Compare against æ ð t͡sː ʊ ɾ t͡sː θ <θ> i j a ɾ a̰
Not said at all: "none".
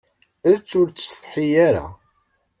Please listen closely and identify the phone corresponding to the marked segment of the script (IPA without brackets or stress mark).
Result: ħ